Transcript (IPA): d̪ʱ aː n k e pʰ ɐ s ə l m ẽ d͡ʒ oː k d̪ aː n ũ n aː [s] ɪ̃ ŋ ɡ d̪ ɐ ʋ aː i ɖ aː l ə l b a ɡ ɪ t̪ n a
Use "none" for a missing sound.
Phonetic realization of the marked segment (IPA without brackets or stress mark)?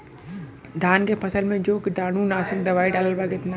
s